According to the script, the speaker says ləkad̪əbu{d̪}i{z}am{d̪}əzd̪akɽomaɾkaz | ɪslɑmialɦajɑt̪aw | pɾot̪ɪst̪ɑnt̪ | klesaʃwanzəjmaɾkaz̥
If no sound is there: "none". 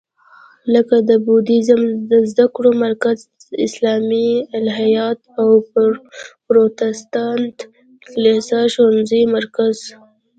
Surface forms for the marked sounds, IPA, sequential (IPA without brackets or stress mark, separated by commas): d̪, z, d̪